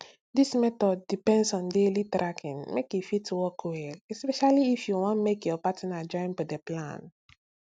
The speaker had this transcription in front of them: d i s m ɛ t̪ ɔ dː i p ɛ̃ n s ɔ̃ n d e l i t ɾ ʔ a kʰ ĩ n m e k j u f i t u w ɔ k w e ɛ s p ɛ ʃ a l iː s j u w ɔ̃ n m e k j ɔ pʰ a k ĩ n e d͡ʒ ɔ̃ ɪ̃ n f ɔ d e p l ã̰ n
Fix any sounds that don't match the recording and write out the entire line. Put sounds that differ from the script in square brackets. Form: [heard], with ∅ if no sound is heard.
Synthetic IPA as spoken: d i s m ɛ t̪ ɔ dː i p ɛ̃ n s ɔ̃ n d e l i t ɾ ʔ a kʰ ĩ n m e k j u f i t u w ɔ k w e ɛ s p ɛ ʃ a l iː [f] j u w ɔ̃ n m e k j ɔ [p] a [t] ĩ n [a] d͡ʒ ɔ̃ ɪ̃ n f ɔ d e p l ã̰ n